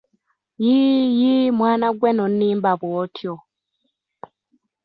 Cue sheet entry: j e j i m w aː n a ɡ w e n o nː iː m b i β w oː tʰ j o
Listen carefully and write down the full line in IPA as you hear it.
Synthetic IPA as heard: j i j i m w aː n a ɡ w e n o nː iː m b a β w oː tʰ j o